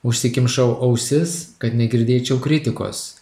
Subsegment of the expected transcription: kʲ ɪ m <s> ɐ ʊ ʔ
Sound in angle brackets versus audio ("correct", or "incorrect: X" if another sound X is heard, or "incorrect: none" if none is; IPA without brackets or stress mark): incorrect: ʃ